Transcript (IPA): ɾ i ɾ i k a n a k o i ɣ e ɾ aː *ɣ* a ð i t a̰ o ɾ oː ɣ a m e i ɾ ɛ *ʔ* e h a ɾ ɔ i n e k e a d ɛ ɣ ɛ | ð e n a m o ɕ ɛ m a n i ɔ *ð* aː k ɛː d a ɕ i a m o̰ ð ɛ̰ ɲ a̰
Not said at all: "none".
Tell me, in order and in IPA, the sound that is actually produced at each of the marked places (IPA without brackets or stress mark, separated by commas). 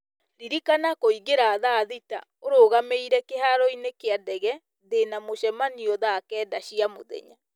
ð, k, ð